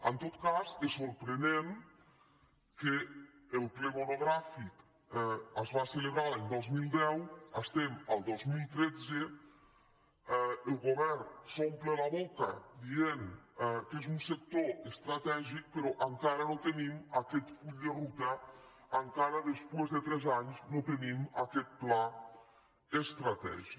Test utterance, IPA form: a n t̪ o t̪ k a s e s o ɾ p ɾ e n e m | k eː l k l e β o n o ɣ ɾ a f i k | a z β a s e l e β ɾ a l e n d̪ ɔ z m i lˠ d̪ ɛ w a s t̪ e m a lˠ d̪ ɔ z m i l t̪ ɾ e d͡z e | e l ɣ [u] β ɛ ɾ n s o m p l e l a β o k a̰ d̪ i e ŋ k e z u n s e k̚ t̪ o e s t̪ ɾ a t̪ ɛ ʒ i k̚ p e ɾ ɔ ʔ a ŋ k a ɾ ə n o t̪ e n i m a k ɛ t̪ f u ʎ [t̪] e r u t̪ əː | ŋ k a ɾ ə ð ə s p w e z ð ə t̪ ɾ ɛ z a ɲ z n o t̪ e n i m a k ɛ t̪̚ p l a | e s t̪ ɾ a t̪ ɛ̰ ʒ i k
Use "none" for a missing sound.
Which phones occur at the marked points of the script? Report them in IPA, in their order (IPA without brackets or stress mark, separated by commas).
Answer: o, d̪